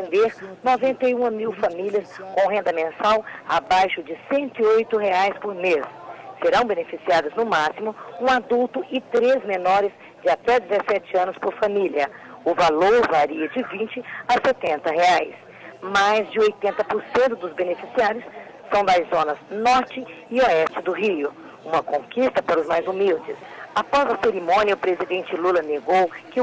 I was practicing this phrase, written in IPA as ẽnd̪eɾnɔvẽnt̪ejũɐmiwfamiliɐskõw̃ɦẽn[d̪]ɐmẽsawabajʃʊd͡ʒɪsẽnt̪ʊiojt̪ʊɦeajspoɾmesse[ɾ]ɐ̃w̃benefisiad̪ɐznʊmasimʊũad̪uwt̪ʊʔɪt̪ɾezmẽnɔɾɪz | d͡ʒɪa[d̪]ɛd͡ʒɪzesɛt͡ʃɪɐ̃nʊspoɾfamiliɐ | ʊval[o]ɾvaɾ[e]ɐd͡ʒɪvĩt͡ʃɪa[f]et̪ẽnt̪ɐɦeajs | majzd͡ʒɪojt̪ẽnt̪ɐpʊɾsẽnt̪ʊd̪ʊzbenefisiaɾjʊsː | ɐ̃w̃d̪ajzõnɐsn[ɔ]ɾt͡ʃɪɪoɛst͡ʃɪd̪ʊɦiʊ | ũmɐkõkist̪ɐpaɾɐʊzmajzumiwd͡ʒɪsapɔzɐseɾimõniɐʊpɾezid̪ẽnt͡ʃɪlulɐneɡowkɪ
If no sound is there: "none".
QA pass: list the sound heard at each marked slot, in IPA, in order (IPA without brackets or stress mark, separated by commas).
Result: d̪, ɾ, t̪, o, i, s, ɔ